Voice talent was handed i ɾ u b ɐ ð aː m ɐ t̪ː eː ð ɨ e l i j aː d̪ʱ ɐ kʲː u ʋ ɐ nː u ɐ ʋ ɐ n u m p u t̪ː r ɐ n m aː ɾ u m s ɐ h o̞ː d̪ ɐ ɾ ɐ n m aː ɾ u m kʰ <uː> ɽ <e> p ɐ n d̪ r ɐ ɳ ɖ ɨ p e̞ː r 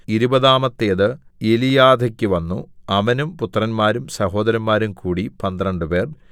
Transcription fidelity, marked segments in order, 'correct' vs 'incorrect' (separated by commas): correct, incorrect